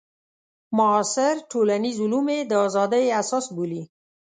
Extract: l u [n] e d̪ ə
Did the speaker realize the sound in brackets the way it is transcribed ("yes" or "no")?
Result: no